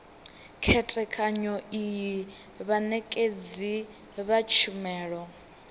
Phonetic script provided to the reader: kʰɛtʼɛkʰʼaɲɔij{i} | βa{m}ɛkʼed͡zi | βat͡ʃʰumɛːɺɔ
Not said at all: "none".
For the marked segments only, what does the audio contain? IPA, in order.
i, n

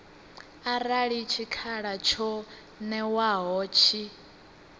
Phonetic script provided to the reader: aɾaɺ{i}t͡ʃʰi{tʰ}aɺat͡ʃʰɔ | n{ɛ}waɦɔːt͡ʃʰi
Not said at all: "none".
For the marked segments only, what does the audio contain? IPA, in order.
i, kʰ, ɛ

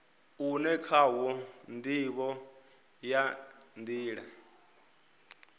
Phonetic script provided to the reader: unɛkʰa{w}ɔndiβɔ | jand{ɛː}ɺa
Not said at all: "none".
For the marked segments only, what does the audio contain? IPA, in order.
w, iː

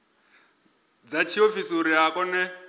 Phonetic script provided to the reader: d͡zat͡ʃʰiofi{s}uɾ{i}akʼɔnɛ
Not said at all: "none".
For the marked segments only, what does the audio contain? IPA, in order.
s, i

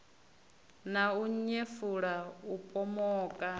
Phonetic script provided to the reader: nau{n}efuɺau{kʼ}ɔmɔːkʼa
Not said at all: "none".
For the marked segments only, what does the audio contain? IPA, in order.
ɲ, pʼ

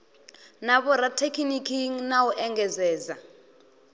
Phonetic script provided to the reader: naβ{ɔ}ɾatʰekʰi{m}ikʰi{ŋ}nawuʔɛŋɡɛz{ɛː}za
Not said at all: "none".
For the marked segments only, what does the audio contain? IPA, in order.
ɔ, n, ŋ, ɛː

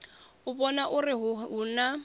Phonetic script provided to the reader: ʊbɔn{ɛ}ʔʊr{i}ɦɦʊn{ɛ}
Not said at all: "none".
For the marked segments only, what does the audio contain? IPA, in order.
a, ɪ, a

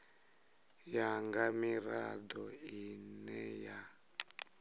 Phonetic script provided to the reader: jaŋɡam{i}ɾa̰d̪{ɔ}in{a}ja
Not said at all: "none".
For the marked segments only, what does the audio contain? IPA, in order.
i, ɔ, ɛ

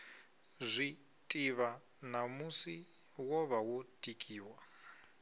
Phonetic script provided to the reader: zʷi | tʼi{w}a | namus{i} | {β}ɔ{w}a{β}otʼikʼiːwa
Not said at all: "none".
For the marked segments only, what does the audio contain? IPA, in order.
β, i, w, β, w

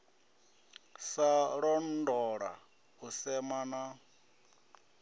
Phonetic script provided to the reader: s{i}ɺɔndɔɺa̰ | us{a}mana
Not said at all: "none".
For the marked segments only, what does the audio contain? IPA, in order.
a, ɛ

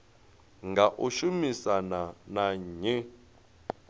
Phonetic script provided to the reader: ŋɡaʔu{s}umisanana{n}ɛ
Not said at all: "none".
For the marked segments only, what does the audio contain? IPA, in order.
ʃ, ɲ

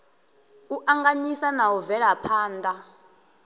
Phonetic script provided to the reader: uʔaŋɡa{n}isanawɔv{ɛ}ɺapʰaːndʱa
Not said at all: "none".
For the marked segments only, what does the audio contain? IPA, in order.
ɲ, ɛ

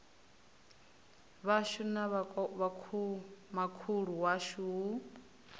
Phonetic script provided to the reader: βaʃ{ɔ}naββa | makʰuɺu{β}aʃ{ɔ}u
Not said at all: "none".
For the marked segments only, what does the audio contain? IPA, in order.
u, w, u

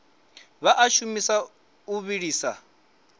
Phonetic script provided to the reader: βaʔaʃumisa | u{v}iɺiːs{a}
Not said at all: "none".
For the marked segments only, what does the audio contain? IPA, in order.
β, a

